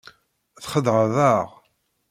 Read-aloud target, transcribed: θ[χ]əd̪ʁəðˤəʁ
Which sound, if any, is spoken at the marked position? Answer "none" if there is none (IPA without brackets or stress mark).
χ